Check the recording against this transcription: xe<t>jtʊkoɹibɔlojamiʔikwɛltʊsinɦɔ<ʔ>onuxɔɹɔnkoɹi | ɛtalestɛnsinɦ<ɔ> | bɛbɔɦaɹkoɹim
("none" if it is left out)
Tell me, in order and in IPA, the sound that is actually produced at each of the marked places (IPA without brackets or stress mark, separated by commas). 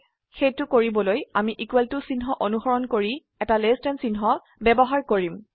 none, ʔ, ɔ